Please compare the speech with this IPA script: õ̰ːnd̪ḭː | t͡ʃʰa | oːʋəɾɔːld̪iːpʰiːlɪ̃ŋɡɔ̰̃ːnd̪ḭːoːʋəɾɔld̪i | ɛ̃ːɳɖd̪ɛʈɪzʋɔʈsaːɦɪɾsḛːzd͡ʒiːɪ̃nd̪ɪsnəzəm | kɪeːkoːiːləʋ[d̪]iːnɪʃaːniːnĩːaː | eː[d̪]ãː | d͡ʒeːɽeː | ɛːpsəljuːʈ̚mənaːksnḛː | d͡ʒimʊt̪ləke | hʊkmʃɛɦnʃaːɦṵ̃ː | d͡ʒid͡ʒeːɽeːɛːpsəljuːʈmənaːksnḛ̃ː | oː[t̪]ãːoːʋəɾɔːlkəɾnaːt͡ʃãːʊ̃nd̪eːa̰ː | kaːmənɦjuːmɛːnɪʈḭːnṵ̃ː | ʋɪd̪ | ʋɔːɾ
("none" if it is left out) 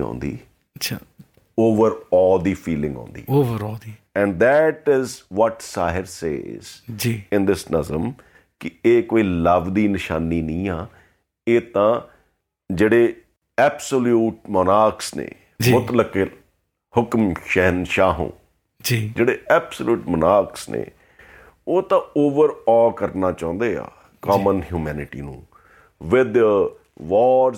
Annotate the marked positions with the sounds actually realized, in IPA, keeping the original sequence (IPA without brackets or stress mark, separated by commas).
d̪, t̪, t̪